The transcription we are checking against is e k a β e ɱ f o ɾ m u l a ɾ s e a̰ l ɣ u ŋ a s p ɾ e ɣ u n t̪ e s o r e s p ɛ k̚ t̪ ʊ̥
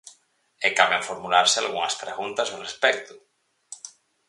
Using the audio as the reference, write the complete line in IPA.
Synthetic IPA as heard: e k a β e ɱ f o ɾ m u l a ɾ s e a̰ l ɣ u ŋ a s p ɾ e ɣ u n t̪ a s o r e s p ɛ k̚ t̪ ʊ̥